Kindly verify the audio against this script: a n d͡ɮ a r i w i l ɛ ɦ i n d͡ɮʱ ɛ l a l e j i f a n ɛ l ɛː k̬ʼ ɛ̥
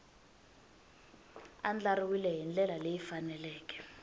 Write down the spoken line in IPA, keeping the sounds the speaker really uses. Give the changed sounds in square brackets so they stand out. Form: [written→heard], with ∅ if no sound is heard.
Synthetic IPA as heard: a n d͡ɮ a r i w i l ɛ ɦ i n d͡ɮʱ ɛ l a l e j i f a n ɛ l ɛː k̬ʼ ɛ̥